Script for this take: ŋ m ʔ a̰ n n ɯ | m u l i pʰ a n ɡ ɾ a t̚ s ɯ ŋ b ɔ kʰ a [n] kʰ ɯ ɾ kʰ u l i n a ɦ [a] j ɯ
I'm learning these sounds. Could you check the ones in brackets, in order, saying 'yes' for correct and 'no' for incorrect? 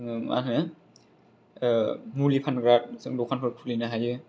yes, yes

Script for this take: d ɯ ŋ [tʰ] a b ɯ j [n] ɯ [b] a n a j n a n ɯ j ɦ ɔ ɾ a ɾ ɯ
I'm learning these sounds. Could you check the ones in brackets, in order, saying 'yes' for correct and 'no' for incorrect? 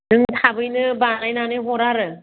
yes, yes, yes

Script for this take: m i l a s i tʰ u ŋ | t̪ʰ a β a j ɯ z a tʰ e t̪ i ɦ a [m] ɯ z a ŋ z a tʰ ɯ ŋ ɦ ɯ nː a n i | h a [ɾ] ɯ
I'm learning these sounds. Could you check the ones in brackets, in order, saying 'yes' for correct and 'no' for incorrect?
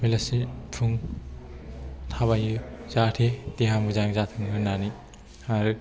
yes, yes

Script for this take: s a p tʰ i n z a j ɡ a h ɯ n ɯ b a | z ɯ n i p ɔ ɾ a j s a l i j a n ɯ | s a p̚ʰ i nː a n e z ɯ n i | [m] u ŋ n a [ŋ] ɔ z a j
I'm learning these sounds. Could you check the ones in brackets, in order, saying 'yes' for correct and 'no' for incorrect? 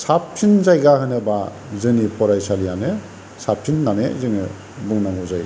no, yes

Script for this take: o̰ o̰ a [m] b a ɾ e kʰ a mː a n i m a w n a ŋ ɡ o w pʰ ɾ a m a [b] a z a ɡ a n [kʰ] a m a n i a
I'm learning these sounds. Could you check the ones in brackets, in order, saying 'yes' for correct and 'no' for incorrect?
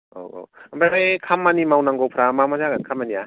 yes, no, yes

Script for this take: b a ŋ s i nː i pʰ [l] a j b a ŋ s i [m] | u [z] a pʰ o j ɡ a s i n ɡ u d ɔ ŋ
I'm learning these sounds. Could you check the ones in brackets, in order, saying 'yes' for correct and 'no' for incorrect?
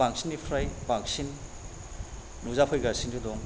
no, no, yes

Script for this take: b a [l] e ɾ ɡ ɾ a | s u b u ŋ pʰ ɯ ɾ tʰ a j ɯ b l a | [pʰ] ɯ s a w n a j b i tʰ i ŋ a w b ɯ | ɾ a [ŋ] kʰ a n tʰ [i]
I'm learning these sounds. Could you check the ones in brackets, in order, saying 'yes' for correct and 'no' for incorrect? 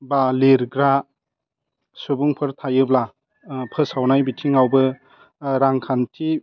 yes, yes, yes, yes

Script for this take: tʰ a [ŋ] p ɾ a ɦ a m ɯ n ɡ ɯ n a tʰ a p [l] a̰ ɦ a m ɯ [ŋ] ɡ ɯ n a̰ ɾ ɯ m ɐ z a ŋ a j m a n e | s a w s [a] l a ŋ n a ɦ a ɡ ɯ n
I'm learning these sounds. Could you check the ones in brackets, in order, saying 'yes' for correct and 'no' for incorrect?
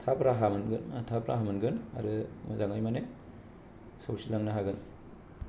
no, no, no, no

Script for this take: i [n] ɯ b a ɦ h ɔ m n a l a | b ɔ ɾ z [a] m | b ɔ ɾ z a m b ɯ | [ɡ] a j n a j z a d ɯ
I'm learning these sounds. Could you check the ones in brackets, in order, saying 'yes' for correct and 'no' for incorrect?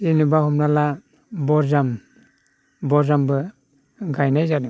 yes, yes, yes

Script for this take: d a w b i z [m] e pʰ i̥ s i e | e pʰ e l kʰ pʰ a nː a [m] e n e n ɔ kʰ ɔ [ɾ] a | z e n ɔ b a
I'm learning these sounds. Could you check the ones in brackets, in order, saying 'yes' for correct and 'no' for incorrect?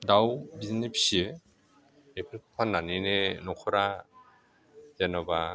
no, no, yes

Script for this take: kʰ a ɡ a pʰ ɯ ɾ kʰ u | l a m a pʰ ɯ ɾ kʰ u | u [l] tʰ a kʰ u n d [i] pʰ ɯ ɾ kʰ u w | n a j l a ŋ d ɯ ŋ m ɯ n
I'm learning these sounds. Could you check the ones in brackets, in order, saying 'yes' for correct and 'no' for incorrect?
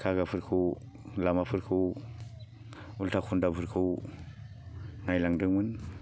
yes, no

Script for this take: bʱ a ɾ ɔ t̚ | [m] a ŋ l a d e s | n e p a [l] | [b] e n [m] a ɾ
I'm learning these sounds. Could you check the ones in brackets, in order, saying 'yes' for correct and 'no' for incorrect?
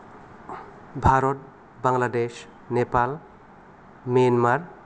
no, yes, no, yes

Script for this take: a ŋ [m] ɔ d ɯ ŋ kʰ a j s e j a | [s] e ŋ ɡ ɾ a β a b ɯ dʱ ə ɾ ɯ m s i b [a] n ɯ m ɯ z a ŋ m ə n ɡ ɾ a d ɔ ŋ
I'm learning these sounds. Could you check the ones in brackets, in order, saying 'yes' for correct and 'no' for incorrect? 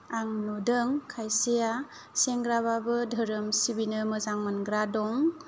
no, yes, no

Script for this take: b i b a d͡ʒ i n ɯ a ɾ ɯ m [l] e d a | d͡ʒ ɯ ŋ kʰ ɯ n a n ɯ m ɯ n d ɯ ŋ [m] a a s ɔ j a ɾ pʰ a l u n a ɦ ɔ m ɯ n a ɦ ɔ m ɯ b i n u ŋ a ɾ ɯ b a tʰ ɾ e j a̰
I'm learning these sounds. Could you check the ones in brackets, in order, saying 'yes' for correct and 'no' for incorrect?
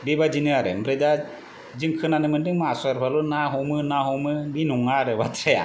no, yes

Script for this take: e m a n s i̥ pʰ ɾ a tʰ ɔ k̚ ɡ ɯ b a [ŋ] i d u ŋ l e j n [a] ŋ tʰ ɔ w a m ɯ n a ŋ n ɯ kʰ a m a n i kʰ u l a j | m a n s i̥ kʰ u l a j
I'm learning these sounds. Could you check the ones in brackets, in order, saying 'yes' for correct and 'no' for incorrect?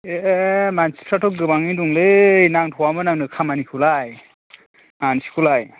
yes, yes

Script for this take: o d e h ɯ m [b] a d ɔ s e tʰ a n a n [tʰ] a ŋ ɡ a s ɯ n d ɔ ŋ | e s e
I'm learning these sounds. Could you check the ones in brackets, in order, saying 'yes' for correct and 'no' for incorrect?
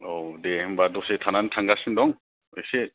yes, yes

